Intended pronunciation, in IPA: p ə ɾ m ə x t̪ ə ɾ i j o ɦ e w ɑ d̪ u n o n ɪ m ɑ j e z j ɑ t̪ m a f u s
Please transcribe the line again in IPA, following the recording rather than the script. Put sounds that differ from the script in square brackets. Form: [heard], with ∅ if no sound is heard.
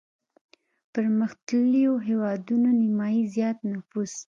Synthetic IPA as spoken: p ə ɾ m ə x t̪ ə [l] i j o ɦ e w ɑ d̪ u n o n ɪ m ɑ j [i] z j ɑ t̪ [n] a f u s